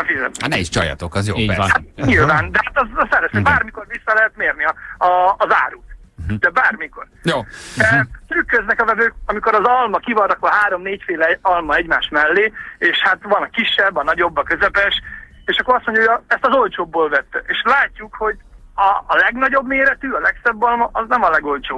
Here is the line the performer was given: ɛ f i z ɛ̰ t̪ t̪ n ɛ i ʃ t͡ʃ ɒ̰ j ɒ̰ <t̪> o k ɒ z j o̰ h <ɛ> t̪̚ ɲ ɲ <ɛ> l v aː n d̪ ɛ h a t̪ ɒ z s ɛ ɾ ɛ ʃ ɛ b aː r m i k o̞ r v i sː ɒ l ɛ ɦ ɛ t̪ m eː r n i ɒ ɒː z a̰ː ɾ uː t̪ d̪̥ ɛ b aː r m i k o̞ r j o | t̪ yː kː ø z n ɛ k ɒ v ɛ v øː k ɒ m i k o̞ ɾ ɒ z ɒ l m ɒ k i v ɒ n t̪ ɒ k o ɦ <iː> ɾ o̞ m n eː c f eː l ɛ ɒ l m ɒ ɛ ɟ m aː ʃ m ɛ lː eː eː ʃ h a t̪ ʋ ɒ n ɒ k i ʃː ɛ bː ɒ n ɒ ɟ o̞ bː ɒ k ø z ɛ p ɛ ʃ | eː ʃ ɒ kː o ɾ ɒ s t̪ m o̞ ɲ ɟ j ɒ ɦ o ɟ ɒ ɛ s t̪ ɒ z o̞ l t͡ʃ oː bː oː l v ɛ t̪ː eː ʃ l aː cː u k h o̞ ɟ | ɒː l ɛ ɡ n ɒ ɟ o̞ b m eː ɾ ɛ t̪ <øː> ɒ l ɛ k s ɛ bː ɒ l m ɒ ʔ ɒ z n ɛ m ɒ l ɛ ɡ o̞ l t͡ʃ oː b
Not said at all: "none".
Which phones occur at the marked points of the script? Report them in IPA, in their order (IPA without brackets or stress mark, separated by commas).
t̪, a, i, aː, yː